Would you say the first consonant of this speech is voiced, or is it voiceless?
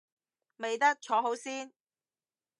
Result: voiced